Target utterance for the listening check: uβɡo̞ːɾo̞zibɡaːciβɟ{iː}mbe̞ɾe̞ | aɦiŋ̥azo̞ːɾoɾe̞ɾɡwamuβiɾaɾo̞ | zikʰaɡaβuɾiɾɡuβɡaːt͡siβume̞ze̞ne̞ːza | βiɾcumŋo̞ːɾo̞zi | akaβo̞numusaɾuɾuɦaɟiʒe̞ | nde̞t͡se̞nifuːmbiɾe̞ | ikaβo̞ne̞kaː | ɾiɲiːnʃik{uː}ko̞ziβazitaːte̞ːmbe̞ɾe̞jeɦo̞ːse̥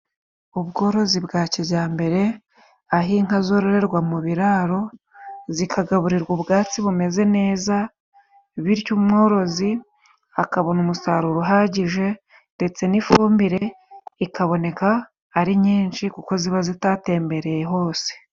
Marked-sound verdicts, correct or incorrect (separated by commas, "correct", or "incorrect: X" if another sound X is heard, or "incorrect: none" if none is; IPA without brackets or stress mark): incorrect: aː, incorrect: u